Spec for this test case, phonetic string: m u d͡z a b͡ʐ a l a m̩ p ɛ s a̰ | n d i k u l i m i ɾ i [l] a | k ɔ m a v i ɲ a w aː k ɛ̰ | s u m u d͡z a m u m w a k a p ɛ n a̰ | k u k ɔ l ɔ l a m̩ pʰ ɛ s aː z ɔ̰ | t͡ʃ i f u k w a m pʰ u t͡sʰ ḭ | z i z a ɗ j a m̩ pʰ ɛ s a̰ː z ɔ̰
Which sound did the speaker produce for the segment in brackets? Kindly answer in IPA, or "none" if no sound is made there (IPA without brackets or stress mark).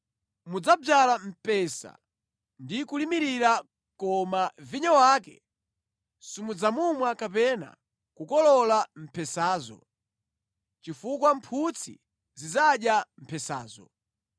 ɾ